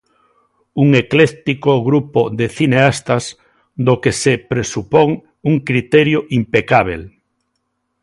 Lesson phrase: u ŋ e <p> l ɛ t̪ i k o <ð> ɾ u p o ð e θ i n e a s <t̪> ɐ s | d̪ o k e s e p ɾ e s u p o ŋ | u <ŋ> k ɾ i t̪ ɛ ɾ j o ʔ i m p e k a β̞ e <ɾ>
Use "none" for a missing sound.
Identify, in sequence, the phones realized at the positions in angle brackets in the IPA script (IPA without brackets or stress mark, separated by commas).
k, ɣ, t̪, ŋ, l